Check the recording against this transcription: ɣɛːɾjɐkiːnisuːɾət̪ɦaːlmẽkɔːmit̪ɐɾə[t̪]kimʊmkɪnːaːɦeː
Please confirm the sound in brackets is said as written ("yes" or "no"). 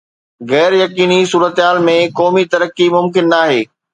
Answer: no